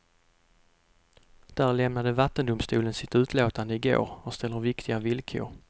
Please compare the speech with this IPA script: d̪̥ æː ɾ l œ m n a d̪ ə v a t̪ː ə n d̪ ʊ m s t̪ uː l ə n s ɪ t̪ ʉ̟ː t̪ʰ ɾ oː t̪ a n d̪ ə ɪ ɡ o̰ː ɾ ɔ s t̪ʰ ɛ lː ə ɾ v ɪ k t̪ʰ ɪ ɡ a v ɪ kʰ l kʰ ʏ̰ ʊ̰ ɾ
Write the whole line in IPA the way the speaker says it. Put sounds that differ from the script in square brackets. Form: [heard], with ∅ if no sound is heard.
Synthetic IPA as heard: d̪̥ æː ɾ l [ɛ] m n a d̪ ə v a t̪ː ə n d̪ ʊ m s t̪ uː l ə n s ɪ t̪ ʉ̟ː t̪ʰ [l] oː t̪ a n d̪ ə ɪ ɡ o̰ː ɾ ɔ s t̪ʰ ɛ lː ə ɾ v ɪ k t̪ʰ ɪ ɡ a v ɪ [∅] l kʰ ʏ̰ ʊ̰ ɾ